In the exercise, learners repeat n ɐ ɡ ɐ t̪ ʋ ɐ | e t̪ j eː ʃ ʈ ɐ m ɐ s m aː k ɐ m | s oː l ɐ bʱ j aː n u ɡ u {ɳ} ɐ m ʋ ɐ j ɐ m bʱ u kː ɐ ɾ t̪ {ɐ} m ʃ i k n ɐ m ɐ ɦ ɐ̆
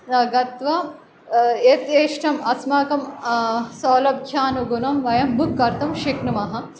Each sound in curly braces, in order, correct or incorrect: incorrect: n, correct

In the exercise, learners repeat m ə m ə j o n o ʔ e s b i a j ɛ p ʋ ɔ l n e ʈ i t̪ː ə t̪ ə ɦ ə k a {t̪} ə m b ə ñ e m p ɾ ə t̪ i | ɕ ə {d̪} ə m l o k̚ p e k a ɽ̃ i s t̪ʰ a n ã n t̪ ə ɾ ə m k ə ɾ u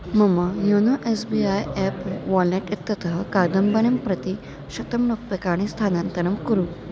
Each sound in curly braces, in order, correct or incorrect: incorrect: d̪, incorrect: t̪

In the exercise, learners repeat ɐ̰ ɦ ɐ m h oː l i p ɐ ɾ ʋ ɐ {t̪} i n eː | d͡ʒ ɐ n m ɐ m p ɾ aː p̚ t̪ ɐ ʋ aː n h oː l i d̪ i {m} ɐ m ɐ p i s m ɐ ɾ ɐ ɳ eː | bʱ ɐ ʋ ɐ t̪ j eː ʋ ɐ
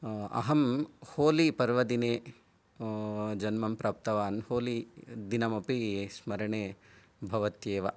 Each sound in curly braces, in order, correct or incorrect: incorrect: d̪, incorrect: n

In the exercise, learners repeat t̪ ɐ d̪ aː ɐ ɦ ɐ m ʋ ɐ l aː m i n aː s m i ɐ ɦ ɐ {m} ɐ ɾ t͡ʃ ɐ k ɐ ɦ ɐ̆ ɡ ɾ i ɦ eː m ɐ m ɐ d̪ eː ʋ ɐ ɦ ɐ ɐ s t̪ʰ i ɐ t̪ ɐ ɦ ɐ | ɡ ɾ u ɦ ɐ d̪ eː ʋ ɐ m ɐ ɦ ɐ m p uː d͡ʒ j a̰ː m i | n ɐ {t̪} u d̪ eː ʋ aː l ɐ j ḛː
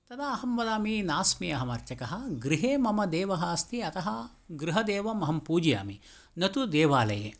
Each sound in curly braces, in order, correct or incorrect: correct, correct

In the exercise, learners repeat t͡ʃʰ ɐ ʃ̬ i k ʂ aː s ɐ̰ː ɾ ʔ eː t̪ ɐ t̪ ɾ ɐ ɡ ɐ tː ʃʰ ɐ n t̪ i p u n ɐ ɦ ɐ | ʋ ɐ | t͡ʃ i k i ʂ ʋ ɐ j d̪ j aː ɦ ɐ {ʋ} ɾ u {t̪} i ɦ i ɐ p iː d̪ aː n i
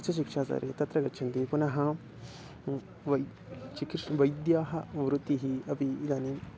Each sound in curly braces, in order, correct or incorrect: correct, correct

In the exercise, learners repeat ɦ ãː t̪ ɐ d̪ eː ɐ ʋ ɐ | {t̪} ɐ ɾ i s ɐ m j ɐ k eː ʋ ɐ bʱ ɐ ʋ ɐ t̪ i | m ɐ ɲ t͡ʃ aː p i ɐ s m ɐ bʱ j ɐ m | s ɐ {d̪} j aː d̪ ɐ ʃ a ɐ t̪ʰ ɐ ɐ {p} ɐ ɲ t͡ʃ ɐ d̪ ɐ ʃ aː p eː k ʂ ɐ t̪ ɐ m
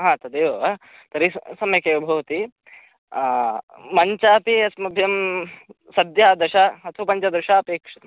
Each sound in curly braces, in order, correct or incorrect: correct, correct, correct

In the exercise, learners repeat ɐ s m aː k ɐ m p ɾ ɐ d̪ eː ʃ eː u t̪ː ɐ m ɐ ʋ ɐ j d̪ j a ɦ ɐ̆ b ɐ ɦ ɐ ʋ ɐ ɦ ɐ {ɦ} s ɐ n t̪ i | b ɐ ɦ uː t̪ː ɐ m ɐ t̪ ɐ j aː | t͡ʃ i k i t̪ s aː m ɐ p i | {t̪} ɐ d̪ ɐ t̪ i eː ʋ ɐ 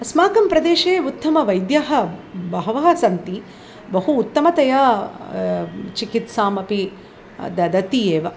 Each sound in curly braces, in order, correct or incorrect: incorrect: none, incorrect: d̪

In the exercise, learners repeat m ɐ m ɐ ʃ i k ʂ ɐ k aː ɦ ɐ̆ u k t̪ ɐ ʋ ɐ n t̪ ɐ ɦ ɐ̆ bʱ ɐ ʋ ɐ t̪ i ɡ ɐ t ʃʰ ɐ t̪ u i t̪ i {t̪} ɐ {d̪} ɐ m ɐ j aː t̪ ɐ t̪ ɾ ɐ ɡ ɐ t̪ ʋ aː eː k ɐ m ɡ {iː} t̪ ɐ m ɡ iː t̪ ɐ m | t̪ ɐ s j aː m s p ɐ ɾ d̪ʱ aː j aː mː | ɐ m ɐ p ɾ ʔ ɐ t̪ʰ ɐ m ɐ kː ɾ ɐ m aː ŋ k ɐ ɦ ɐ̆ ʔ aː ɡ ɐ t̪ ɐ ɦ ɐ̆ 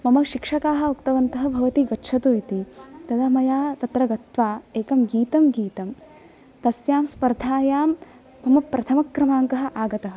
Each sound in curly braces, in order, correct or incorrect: correct, correct, correct

